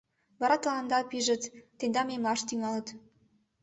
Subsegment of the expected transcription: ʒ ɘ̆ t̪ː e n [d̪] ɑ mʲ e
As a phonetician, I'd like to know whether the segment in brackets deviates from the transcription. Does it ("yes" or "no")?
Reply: no